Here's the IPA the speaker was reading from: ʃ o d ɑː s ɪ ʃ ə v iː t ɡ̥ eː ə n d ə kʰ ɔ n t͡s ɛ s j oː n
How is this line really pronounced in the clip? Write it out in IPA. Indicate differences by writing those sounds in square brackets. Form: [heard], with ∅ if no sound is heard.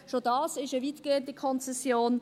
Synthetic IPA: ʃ o d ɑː s ɪ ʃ ə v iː t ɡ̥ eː ə n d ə kʰ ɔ n t͡s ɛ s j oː n